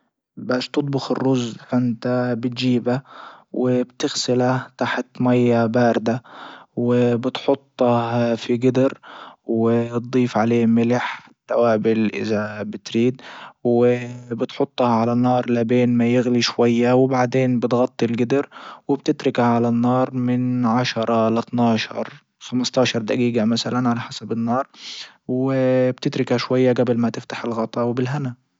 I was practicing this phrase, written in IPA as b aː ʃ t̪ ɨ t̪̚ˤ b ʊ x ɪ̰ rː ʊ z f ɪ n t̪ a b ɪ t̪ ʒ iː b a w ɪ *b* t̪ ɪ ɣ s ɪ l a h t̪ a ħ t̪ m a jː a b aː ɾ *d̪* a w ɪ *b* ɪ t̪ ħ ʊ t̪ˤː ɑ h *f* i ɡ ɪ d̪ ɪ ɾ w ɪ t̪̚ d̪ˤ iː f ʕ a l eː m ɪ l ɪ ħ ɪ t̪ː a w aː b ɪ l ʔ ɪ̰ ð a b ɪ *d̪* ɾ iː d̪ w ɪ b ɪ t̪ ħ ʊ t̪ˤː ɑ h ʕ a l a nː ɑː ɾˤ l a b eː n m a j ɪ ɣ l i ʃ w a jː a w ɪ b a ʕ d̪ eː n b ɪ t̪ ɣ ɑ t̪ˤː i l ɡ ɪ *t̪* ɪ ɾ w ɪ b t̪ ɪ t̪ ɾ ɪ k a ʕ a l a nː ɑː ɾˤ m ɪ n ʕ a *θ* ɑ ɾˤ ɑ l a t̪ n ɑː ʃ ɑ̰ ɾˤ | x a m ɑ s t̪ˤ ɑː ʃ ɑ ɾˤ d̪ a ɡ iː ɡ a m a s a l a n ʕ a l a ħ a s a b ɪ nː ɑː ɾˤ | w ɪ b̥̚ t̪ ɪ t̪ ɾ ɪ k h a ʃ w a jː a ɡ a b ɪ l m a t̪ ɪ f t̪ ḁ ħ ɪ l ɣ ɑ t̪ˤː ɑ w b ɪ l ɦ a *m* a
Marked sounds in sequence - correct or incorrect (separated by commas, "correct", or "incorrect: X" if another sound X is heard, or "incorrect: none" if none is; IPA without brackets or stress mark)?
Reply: correct, correct, correct, correct, incorrect: t̪, incorrect: d̪, incorrect: ʃ, incorrect: n